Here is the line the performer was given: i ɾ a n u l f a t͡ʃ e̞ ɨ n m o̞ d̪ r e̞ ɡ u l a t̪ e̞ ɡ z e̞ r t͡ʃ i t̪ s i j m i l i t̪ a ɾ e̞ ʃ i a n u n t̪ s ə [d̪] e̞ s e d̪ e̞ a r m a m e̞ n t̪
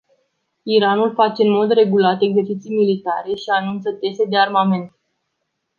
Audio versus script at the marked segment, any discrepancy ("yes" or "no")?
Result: yes